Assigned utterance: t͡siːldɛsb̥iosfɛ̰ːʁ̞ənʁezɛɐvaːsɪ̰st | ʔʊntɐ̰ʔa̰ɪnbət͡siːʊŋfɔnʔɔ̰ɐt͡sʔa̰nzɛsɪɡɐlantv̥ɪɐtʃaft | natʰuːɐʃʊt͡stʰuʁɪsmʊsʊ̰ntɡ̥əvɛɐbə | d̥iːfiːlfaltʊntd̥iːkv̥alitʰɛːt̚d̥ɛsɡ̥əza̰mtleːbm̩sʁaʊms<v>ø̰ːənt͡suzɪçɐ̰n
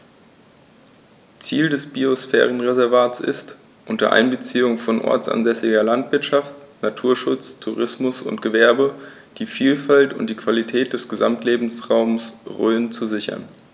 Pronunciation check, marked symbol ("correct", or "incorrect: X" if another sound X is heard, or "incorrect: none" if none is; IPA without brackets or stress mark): incorrect: ʁ